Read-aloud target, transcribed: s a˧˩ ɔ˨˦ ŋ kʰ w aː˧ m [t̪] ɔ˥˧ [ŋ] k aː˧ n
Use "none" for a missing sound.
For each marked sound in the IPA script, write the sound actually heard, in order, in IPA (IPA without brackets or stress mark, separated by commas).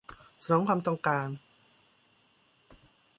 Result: t̪, ŋ